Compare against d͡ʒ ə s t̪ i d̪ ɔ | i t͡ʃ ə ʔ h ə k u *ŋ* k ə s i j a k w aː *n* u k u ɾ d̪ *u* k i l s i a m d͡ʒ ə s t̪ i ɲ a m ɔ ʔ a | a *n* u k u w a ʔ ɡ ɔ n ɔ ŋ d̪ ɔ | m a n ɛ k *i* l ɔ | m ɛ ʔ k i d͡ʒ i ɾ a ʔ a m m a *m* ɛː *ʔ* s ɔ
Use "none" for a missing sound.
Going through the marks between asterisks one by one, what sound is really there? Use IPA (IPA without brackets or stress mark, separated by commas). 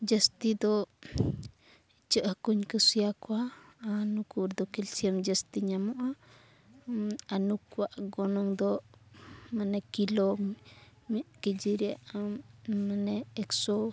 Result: ɲ, n, ɔ, n, i, n, k